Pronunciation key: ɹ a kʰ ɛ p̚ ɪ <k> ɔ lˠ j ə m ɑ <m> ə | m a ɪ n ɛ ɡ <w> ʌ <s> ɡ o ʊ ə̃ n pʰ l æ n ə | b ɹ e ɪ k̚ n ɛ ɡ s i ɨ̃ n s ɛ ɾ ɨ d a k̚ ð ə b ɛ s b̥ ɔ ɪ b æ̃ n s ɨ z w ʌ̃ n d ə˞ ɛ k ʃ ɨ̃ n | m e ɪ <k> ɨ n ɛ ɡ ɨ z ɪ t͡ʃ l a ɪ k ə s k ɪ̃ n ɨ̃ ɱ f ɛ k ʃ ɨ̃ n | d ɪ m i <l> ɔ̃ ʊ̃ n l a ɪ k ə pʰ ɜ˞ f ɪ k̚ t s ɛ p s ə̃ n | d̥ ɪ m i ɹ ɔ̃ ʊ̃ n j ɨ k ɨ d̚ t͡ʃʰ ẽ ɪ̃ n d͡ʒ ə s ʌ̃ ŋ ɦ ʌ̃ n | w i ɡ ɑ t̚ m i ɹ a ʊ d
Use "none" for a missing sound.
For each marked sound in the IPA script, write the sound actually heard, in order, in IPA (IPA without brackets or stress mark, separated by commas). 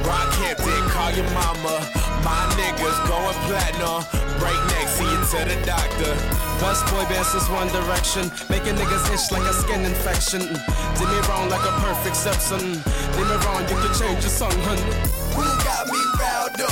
kʰ, m, w, z, k, ɹ